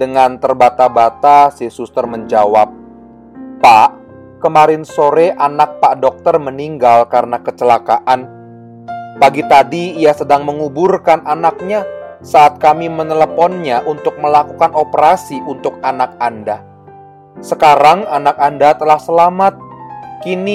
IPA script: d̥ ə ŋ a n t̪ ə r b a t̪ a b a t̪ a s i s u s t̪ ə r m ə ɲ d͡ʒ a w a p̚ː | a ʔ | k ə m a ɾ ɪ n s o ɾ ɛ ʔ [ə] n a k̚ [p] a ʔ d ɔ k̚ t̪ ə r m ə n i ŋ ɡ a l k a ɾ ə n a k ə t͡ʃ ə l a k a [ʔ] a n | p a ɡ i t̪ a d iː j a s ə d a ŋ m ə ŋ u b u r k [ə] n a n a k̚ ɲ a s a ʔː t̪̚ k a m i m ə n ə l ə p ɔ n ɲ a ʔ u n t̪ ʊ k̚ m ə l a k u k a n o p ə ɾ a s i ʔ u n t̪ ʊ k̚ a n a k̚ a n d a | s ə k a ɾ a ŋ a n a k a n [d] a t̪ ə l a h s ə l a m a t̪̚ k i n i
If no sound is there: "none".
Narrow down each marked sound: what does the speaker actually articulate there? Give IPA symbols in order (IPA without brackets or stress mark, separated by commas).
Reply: a, p, ʔ, a, d